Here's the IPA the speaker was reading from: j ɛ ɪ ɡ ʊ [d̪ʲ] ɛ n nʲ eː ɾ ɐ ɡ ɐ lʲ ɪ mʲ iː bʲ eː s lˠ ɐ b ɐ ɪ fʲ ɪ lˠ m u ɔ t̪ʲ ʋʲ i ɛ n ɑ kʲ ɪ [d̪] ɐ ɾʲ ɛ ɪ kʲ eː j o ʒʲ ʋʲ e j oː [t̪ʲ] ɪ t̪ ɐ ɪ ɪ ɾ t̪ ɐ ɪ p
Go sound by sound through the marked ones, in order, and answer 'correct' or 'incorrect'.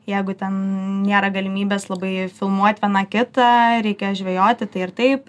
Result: incorrect: t̪ʲ, incorrect: t̪, correct

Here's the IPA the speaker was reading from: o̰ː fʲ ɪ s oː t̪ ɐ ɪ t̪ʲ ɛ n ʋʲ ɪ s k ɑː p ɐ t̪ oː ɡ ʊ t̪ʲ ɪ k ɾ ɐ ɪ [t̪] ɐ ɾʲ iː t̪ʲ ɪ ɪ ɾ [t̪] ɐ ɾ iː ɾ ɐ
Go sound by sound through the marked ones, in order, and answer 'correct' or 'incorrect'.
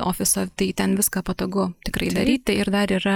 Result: incorrect: d̪, incorrect: d̪

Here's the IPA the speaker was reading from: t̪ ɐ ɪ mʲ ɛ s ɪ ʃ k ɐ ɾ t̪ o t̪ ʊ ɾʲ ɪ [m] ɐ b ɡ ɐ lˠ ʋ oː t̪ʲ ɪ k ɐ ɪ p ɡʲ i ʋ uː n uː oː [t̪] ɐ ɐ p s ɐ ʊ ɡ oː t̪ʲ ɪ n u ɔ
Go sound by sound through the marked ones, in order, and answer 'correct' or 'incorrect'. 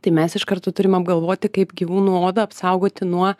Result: correct, incorrect: d̪

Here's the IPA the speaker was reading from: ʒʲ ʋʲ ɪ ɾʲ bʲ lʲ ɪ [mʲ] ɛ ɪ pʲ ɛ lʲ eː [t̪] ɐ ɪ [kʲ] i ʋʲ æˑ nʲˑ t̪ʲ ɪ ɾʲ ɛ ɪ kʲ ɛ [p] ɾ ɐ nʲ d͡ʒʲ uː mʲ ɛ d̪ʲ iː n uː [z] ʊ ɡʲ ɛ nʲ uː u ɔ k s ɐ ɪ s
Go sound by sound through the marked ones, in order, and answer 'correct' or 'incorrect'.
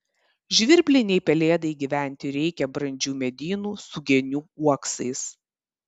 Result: incorrect: nʲ, incorrect: d̪, incorrect: ɡʲ, incorrect: b, incorrect: s

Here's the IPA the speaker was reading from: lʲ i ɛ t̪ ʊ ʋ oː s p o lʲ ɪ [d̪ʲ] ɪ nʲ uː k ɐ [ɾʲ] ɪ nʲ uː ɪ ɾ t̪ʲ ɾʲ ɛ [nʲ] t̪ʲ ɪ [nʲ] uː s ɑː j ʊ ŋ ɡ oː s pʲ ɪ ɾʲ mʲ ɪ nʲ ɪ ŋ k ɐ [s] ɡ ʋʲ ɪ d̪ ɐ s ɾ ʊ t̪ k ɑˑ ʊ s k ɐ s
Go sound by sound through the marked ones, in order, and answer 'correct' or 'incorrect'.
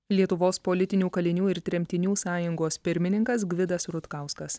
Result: incorrect: t̪ʲ, incorrect: lʲ, incorrect: mʲ, correct, correct

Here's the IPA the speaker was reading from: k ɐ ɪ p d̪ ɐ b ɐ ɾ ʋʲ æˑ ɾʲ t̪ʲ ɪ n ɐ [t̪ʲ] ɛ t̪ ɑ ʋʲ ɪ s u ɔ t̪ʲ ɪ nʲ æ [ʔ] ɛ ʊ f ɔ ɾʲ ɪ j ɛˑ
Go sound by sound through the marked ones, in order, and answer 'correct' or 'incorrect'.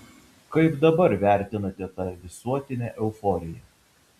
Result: correct, correct

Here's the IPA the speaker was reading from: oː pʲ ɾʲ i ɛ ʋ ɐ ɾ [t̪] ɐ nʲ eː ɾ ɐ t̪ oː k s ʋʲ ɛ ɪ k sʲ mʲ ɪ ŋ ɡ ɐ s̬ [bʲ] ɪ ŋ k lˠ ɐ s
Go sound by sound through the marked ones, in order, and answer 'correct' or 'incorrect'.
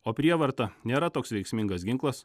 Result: correct, incorrect: ɡʲ

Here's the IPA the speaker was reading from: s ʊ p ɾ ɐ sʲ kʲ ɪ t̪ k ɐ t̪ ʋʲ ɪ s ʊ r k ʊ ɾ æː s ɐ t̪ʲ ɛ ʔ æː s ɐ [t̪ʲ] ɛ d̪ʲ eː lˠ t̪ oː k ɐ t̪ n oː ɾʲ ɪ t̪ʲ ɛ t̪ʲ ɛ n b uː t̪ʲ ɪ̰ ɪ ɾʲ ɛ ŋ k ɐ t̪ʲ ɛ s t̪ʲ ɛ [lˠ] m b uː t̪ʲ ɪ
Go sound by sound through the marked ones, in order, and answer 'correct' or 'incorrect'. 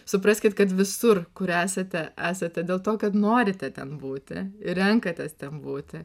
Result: correct, incorrect: none

